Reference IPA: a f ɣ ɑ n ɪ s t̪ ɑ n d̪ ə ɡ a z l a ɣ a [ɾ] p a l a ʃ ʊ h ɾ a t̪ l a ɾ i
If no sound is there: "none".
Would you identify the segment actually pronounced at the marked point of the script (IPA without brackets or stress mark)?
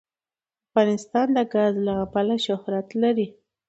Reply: none